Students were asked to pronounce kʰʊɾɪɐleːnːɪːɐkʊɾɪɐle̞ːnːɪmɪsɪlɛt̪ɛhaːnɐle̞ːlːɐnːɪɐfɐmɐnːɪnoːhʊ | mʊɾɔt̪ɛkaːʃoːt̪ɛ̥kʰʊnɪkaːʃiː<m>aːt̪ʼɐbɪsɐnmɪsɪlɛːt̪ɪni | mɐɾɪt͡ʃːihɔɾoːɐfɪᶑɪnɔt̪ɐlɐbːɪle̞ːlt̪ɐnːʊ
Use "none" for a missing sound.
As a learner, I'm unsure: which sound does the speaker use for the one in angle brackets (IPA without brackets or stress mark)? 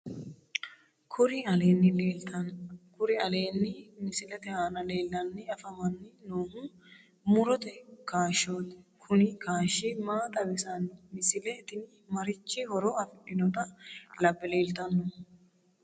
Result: m